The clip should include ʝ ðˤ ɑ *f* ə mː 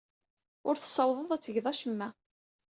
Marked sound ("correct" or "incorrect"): incorrect